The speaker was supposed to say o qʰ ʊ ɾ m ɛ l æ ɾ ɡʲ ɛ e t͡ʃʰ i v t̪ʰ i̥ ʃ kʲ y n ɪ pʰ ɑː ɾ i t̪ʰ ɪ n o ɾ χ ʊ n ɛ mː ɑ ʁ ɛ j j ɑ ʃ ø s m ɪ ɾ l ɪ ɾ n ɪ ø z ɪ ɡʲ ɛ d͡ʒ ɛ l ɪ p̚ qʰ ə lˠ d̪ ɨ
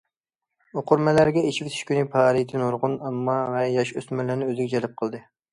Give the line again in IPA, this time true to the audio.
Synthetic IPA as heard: o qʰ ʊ ɾ m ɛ l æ ɾ ɡʲ ɛ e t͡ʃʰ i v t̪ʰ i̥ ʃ kʲ y n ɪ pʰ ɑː ɾ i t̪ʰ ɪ n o ɾ ʁ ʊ n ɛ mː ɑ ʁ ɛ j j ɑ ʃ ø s m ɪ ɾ l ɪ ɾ n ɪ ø z ɪ ɡʲ ɛ d͡ʒ ɛ l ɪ p̚ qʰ ə lˠ d̪ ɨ